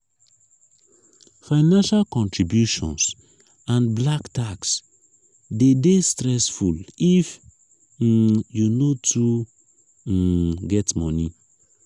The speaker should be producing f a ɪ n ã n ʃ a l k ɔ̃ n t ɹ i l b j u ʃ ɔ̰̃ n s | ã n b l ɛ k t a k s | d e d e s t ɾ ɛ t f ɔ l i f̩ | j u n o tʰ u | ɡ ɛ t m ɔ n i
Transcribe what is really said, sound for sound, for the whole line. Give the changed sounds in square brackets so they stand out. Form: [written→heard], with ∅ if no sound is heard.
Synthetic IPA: f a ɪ n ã n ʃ a l k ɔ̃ n t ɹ i [l→∅] b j u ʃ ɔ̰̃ n s | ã n b l [ɛ→a] k t a k s | d e d e s t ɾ ɛ [t→s] f [ɔ→u] l i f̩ | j u n o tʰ u | ɡ ɛ t m ɔ n i